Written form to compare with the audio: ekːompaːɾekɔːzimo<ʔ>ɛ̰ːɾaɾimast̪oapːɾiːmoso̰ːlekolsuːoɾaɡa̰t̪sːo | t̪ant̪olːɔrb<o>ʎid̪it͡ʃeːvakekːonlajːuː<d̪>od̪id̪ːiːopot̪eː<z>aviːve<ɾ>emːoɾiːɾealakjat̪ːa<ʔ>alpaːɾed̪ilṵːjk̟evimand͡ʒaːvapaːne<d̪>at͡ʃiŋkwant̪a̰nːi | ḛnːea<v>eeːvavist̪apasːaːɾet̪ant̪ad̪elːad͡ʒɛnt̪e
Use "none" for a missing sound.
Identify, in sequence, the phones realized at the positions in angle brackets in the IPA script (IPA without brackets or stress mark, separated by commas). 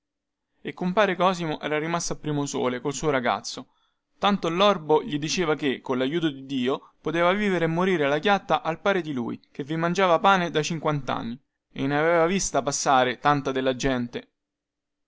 ʔ, o, t̪, v, ɾ, ʔ, d̪, v